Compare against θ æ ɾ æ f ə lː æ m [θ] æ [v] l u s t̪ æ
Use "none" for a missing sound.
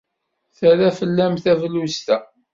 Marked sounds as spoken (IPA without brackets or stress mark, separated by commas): θ, v